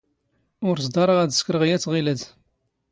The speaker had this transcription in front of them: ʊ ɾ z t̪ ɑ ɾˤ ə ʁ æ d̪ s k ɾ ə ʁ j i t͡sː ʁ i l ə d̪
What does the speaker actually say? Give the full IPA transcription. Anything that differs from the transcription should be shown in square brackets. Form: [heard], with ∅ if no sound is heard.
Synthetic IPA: ʊ ɾ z [d̪] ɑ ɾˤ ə ʁ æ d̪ s k ɾ ə ʁ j [æ] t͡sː ʁ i l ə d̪